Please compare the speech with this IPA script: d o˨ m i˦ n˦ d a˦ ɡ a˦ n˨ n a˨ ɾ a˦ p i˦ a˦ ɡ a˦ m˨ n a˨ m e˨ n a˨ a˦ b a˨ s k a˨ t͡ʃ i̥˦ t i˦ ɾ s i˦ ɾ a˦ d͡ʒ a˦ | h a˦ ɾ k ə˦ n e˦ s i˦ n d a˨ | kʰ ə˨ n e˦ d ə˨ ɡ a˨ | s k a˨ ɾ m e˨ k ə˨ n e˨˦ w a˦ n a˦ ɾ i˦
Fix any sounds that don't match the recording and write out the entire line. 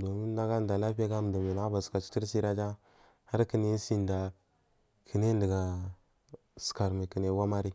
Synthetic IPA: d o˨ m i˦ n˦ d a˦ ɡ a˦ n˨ d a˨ l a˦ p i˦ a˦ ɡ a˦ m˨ d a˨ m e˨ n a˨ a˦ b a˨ s k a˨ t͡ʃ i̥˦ t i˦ ɾ s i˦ ɾ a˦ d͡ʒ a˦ | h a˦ ɾ k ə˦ n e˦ s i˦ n d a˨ | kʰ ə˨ n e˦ d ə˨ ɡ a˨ | s k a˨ ɾ m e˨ k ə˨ n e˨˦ w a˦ m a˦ ɾ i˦